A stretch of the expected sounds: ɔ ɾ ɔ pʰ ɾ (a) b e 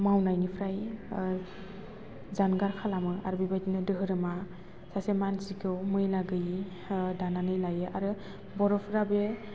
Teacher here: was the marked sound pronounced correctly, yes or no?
yes